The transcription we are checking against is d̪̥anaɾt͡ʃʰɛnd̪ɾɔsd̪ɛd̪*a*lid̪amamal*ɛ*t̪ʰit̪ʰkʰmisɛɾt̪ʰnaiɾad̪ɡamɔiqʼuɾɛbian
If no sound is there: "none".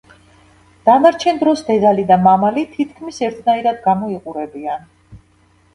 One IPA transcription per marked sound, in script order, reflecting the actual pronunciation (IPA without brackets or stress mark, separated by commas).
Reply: a, i